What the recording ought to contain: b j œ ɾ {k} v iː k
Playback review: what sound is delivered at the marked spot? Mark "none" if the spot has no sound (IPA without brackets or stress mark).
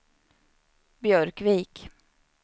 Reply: k